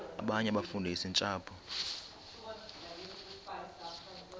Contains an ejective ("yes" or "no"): yes